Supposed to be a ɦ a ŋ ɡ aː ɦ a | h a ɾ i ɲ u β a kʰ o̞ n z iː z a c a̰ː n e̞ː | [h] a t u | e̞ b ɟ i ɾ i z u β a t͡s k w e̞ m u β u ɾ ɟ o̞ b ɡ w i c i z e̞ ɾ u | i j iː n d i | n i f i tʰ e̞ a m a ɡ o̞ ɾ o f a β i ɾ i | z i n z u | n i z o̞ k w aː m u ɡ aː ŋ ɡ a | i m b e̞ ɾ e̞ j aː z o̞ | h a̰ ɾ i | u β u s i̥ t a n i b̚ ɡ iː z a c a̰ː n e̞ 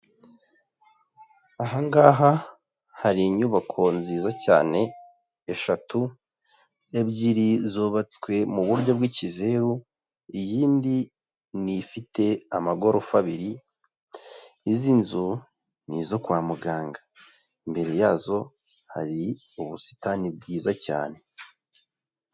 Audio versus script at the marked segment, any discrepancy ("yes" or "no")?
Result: yes